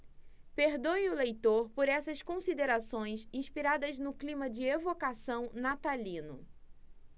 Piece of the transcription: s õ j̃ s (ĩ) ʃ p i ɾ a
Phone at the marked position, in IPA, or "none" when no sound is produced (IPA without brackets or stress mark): ĩ